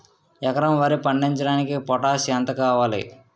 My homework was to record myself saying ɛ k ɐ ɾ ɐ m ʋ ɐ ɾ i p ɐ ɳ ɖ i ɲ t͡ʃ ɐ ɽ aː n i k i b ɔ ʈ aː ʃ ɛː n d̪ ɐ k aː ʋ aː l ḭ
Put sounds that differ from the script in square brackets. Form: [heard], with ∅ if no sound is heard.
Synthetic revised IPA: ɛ k ɐ ɾ ɐ m ʋ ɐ ɾ i p ɐ ɳ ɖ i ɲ t͡ʃ ɐ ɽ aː n i k i [p] ɔ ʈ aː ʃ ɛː n [t̪] ɐ k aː ʋ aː l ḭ